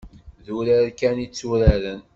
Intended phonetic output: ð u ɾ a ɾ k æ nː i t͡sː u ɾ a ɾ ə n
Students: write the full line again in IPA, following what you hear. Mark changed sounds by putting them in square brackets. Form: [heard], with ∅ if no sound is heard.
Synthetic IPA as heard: ð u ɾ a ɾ k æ [n] i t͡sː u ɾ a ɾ ə n